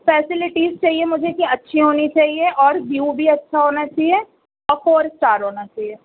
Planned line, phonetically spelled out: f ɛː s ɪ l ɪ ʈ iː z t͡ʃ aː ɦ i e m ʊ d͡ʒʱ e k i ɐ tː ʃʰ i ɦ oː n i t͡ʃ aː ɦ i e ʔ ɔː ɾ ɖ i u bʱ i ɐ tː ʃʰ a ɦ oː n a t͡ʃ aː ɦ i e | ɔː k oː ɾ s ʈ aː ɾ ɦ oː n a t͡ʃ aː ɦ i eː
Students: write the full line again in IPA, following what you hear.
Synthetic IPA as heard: f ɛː s ɪ l ɪ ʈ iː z t͡ʃ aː ɦ i e m ʊ d͡ʒʱ e k i ɐ tː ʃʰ i ɦ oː n i t͡ʃ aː ɦ i e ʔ ɔː ɾ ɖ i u bʱ i ɐ tː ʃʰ a ɦ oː n a t͡ʃ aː ɦ i e | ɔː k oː ɾ s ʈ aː ɾ ɦ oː n a t͡ʃ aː ɦ i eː